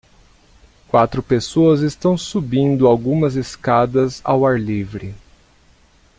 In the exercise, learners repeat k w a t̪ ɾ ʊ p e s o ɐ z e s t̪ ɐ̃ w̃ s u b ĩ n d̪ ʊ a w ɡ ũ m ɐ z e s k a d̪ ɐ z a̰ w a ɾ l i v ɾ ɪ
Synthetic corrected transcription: k w a t̪ ɾ ʊ p e s o ɐ z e s t̪ ɐ̃ w̃ s u b ĩ n d̪ ʊ a w ɡ ũ m ɐ z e s k a d̪ ɐ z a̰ w a ɾ l i v ɾ ɪ

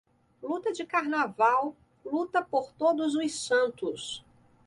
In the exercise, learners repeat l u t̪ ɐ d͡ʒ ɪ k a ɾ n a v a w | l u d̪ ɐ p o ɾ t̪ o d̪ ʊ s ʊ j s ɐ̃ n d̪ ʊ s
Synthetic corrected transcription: l u t̪ ɐ d͡ʒ ɪ k a ɾ n a v a w | l u t̪ ɐ p o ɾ t̪ o d̪ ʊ z ʊ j s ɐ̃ n t̪ ʊ s

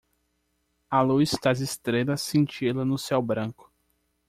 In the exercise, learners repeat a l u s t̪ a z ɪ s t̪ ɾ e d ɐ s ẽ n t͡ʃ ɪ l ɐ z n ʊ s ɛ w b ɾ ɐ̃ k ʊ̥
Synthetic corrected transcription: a l u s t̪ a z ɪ s t̪ ɾ e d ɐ s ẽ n t͡ʃ i l ɐ n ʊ s ɛ w b ɾ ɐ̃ k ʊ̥

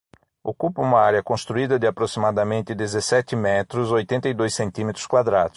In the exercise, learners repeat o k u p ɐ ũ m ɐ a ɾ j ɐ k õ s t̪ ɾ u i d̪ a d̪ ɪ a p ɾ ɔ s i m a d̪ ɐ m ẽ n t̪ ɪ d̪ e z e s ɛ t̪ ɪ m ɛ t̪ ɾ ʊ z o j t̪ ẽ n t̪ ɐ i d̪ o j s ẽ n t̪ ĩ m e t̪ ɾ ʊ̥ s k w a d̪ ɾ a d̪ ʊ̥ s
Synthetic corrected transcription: o k u p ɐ ũ m ɐ a ɾ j ɐ k õ s t̪ ɾ u i d̪ ɐ d̪ ɪ a p ɾ o s i m a d̪ ɐ m ẽ n t̪ ɪ d̪ e z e s ɛ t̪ ɪ m ɛ t̪ ɾ ʊ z o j t̪ ẽ n t̪ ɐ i d̪ o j s ẽ n t̪ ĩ m e t̪ ɾ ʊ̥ s k w a d̪ ɾ a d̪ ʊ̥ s

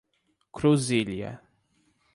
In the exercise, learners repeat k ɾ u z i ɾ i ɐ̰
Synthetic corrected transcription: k ɾ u z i l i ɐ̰

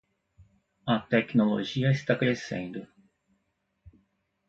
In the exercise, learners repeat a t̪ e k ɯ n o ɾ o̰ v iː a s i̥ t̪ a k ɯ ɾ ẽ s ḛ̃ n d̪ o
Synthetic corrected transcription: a t̪ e k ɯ n o l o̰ ʑ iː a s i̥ t̪ a k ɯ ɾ e s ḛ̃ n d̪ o

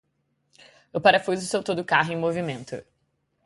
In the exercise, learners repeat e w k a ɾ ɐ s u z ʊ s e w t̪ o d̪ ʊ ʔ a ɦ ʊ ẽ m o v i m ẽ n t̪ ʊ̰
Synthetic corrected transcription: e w p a ɾ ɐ f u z ʊ s e w t̪ o d̪ ʊ k a ɦ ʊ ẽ m o v i m ẽ n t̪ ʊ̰

